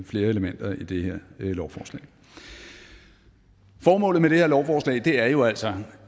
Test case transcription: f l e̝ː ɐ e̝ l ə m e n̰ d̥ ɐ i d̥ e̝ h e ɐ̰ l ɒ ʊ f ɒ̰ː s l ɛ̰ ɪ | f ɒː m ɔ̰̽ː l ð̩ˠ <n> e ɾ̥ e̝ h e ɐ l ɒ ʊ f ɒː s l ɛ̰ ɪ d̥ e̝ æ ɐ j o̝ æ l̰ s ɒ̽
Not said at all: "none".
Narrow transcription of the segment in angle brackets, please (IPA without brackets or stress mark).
m